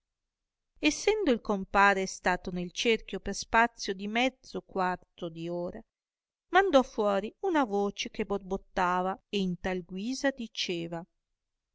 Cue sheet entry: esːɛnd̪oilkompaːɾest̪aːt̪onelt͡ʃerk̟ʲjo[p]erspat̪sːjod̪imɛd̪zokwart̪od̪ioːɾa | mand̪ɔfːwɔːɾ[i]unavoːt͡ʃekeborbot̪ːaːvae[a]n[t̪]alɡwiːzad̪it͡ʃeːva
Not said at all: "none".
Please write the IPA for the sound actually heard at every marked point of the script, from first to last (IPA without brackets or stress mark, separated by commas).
p, i, i, t̪